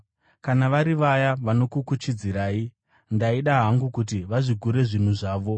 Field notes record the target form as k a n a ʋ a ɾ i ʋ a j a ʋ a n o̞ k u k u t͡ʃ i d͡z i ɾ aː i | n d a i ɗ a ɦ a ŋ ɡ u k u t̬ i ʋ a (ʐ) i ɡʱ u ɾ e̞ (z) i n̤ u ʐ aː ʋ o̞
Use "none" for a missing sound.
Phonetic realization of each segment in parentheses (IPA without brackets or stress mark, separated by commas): ʐ, ʐ